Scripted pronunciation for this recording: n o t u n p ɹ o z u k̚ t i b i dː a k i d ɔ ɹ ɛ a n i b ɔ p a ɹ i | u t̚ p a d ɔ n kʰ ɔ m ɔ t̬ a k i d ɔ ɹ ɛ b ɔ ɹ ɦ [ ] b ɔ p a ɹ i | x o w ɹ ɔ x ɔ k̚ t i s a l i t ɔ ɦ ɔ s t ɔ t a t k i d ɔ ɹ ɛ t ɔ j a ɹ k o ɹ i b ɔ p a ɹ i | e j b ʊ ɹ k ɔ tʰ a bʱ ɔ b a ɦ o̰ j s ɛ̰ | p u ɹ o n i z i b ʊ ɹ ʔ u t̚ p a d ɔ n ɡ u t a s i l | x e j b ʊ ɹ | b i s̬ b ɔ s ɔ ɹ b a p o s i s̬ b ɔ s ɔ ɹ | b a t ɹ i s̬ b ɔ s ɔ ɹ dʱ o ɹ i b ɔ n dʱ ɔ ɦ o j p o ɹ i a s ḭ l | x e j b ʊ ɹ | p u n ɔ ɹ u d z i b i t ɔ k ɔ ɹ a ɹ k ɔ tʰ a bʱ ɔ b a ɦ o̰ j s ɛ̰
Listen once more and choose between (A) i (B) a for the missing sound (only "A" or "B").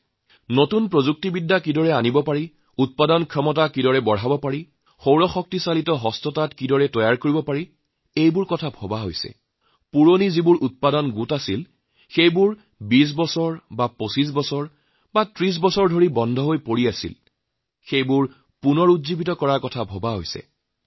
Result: B